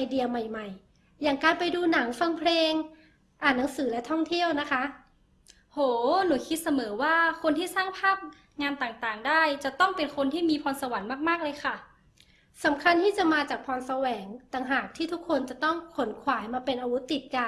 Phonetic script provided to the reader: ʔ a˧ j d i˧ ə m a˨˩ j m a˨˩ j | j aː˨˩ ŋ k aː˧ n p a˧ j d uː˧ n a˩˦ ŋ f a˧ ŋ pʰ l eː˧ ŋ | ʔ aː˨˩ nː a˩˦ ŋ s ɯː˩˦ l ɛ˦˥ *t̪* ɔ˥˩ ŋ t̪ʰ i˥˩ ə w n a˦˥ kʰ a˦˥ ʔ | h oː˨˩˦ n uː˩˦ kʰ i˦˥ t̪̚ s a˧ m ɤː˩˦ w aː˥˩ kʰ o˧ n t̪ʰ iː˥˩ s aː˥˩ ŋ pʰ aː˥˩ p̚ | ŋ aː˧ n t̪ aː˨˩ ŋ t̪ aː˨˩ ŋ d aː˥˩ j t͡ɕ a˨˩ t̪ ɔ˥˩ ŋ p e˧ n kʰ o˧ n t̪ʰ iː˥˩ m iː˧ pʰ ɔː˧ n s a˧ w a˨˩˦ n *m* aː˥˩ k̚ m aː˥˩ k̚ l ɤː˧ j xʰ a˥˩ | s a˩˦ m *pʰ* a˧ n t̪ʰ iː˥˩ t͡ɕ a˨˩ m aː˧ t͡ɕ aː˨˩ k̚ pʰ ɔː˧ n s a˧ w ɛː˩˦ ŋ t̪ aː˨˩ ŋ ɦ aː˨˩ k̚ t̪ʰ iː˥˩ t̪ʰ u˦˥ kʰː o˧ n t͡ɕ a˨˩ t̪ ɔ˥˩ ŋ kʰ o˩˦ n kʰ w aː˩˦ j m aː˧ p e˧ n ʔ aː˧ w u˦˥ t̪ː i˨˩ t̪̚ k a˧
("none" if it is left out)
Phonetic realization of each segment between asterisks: t̪ʰ, m, kʰ

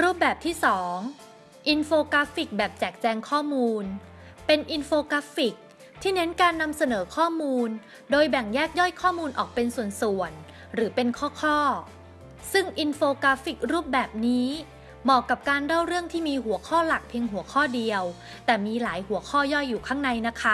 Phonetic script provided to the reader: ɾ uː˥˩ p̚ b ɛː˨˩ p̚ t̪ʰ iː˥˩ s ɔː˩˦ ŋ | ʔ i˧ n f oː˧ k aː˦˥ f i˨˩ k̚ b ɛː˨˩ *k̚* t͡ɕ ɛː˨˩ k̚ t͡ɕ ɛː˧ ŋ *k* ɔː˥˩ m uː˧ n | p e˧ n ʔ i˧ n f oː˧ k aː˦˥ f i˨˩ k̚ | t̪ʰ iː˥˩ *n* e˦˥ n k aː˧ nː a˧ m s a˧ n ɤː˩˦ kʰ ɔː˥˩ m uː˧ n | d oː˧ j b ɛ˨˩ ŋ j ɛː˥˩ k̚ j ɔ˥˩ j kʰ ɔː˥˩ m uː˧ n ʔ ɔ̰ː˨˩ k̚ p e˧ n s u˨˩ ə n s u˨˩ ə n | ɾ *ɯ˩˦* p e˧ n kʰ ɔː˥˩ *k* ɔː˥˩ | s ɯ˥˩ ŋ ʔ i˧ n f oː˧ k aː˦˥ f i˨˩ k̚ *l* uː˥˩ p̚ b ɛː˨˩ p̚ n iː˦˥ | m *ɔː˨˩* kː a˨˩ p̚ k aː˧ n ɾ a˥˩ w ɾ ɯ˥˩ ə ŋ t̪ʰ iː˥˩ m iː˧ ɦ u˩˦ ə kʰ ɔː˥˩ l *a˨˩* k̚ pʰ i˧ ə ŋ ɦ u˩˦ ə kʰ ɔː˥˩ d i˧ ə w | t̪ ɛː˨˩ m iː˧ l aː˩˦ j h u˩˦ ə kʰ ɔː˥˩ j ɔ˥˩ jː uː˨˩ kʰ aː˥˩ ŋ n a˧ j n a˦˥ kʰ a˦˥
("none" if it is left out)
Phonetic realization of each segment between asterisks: p̚, kʰ, n, ɯː˩˦, kʰ, ɾ, ɔː˨˩, a˨˩

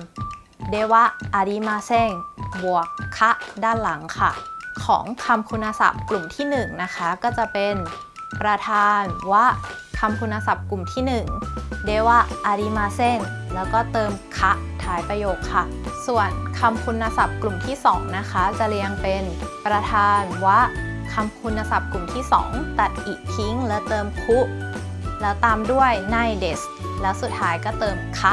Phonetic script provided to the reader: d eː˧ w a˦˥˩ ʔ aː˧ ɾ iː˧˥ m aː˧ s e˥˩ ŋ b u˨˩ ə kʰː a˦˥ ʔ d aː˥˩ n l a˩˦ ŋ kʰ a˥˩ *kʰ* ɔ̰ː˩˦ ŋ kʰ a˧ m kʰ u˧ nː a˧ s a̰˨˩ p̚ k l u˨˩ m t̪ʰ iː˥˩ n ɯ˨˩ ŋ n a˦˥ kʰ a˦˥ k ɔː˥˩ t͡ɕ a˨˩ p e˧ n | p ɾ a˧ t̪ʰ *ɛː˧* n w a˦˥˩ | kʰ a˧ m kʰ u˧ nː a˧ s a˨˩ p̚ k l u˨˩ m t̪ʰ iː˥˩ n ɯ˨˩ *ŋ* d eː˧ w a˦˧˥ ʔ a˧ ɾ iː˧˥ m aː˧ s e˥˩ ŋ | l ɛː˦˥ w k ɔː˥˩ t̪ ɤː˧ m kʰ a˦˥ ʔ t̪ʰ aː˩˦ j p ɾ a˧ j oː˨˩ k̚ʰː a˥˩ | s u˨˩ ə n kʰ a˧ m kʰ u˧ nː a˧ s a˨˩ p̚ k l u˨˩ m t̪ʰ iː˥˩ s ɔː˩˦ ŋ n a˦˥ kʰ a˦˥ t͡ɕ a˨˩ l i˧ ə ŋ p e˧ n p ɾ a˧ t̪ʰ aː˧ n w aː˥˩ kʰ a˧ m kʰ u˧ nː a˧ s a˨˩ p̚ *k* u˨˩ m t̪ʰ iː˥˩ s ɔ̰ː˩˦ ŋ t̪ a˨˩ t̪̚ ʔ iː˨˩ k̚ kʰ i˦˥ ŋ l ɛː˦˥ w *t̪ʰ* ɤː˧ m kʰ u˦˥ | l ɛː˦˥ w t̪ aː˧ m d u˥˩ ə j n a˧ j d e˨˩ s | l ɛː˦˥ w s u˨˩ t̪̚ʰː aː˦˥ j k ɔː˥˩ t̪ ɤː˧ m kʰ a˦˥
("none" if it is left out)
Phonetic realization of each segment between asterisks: kʰ, aː˧, ŋ, k, t̪

